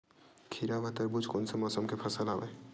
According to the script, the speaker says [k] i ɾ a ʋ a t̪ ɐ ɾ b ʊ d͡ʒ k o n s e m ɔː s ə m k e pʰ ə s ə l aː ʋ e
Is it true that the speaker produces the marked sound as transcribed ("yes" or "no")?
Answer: no